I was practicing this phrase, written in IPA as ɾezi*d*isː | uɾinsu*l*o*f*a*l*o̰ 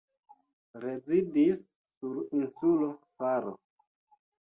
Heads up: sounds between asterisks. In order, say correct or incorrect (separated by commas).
correct, correct, correct, incorrect